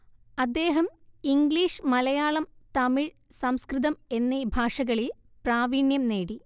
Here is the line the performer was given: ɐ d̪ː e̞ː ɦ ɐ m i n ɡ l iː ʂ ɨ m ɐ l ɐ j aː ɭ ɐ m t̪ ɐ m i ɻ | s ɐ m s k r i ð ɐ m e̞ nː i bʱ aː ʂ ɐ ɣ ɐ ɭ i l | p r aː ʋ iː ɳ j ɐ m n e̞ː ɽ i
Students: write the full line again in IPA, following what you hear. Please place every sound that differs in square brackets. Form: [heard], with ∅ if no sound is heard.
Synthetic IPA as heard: ɐ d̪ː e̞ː ɦ ɐ m i [ŋ] ɡ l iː ʂ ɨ m ɐ l ɐ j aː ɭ ɐ m t̪ ɐ m i ɻ | s ɐ m s k r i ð ɐ m e̞ nː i bʱ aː ʂ ɐ ɣ ɐ ɭ i l | p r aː ʋ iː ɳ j ɐ m n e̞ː ɽ i